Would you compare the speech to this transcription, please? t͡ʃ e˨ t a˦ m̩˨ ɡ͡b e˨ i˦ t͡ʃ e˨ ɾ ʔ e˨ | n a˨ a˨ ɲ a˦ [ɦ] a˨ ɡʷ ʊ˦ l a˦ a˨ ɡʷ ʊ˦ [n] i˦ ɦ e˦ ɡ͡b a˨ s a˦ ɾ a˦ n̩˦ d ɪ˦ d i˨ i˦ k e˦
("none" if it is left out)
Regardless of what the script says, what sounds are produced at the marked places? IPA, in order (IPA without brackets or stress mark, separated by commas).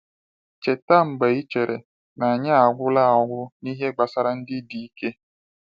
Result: none, n